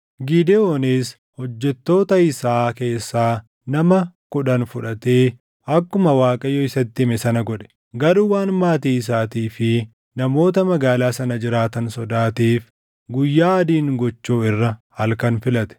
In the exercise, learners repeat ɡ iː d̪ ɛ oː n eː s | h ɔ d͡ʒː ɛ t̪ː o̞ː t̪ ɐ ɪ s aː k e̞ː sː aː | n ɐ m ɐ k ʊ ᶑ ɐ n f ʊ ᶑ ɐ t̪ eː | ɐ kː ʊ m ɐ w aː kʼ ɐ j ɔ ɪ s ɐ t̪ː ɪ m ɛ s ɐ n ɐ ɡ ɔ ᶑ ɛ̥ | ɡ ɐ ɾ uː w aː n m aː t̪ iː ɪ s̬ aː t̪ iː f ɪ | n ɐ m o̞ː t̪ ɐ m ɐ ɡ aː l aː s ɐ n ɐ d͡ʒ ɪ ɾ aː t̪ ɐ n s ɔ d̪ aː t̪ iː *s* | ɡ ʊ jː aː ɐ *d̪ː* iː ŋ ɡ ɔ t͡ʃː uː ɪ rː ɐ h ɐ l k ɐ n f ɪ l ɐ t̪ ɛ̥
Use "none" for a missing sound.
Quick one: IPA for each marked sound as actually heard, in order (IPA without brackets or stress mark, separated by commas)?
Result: f, d̪